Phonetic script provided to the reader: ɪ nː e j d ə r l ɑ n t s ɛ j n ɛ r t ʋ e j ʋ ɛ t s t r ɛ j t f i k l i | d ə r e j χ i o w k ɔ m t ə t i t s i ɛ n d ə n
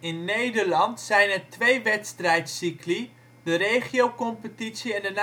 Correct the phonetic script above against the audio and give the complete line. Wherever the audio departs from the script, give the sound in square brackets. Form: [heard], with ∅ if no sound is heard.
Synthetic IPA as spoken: ɪ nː e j d ə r l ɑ n t s ɛ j n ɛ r t ʋ e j ʋ ɛ t s t r ɛ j t [s] i k l i | d ə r e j χ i o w k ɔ m [p] ə t i t s i ɛ n d ə n